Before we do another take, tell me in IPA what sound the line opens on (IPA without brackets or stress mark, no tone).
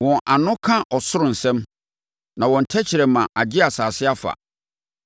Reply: w